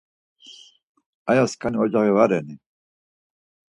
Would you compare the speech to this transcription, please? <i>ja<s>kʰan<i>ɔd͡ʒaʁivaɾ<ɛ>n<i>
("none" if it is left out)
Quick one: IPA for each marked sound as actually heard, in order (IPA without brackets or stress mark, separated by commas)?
a, s, i, ɛ, i